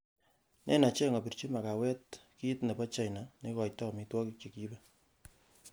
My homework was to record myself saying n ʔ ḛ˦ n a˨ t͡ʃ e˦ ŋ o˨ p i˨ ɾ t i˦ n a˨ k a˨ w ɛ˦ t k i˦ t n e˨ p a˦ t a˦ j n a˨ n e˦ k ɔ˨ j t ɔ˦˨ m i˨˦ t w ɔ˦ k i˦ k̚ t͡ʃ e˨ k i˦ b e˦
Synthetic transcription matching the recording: n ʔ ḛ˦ n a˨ t͡ʃ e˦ ŋ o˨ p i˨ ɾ t͡ʃ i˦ m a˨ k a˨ w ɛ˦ t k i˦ t n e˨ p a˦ t͡ʃ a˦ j n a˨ n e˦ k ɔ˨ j t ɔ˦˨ m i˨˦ t w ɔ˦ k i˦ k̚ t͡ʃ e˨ k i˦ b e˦